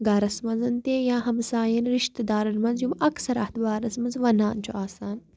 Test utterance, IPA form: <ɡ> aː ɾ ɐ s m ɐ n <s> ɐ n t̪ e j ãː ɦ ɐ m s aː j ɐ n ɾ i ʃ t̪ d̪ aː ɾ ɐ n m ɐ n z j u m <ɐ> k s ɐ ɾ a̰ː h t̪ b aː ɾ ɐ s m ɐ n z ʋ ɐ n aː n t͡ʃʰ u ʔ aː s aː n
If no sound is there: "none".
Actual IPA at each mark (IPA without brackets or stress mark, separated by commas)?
ɡ, z, ɐ